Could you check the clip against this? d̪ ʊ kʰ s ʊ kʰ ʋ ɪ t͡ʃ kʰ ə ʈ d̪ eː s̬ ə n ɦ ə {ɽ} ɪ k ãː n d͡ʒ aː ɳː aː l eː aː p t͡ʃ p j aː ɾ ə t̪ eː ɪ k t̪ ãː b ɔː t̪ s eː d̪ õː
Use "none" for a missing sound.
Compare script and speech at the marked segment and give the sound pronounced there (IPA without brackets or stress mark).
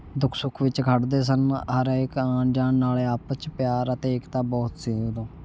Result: ɾ